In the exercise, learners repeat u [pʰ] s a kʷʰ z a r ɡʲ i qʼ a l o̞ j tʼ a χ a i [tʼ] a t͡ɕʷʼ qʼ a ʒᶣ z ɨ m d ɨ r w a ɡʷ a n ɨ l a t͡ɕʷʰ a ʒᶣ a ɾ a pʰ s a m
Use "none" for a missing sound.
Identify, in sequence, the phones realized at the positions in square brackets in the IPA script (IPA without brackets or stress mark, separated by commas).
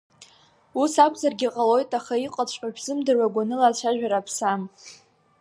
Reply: none, qʼ